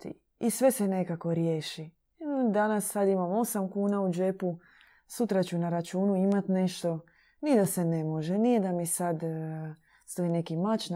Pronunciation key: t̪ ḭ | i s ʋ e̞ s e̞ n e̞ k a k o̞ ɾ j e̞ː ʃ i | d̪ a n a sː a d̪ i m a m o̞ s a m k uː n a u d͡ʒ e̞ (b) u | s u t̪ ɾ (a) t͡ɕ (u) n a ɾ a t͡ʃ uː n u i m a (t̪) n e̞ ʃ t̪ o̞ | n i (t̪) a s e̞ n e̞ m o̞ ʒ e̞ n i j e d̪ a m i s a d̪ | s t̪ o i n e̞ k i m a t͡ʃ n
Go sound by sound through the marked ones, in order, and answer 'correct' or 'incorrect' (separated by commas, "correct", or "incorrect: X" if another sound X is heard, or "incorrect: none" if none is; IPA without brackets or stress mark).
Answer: incorrect: p, correct, correct, correct, incorrect: d̪